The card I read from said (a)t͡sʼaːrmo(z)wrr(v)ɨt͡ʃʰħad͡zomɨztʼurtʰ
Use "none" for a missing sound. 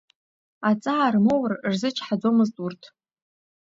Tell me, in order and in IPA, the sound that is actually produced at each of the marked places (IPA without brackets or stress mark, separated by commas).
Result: a, none, z